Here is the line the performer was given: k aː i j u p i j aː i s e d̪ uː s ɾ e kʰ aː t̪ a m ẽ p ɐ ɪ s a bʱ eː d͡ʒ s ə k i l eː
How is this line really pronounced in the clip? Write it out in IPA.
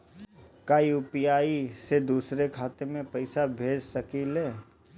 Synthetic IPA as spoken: k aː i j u p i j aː i s e d̪ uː s ɾ e kʰ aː t̪ e m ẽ p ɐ ɪ s a bʱ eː d͡ʒ s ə k i l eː